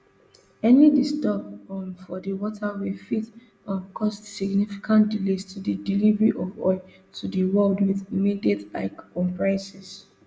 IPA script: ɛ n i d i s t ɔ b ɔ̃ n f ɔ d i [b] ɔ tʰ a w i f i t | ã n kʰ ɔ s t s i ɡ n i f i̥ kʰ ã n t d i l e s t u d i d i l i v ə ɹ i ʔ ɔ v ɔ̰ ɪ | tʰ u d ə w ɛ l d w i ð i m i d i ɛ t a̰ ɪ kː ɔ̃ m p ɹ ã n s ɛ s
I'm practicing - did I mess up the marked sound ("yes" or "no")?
yes